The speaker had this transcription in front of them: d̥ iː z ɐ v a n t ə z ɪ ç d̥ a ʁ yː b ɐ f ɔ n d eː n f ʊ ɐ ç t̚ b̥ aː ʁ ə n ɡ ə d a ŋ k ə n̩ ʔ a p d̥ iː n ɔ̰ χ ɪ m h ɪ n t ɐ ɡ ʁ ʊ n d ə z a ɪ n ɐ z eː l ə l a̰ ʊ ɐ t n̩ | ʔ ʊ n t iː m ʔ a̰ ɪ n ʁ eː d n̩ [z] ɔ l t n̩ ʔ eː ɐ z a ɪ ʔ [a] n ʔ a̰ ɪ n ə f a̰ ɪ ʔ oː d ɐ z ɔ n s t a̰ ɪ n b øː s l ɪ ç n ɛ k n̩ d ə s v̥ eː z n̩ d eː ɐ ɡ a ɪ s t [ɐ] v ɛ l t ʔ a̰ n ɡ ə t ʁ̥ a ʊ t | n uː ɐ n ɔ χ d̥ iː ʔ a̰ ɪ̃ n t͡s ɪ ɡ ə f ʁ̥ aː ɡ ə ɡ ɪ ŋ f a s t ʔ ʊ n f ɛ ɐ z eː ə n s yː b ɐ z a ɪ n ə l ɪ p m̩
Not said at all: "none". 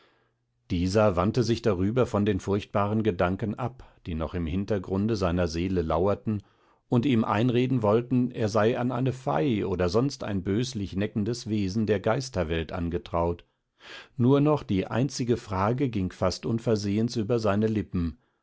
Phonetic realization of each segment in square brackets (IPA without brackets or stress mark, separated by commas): v, a, ɐ